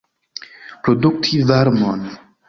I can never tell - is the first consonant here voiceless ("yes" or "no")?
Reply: yes